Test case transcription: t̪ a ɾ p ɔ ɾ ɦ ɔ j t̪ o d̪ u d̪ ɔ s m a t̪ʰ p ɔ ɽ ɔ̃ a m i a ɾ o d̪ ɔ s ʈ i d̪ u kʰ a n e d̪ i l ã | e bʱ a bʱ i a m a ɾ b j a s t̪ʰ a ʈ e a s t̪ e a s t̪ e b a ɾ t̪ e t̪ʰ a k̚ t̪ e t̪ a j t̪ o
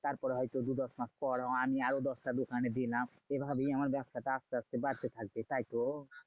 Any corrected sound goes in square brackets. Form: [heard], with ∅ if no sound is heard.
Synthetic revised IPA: t̪ a ɾ p ɔ ɾ ɦ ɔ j t̪ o d̪ u d̪ ɔ s m a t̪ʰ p ɔ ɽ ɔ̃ a m i a ɾ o d̪ ɔ s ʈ [a] d̪ u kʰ a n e d̪ i l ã | e bʱ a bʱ i a m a ɾ b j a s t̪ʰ a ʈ [a] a s t̪ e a s t̪ e b a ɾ t̪ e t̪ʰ a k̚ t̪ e t̪ a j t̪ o